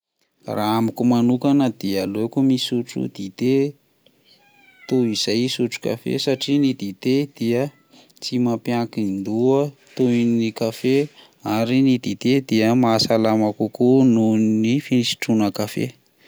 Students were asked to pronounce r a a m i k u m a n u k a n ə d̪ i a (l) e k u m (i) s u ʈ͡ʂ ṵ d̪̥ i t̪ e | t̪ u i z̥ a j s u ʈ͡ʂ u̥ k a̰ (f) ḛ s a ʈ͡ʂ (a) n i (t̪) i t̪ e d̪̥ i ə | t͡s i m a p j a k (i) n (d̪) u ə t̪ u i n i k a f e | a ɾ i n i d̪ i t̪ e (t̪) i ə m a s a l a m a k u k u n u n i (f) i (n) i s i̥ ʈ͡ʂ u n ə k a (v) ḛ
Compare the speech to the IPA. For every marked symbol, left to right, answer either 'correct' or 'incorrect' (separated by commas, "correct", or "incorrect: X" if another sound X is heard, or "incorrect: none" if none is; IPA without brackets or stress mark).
correct, correct, correct, incorrect: i, incorrect: d̪, correct, correct, incorrect: d̪, correct, correct, incorrect: f